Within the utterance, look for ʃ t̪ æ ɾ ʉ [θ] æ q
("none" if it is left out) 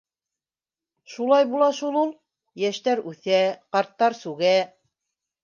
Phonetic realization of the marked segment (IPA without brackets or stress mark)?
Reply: θ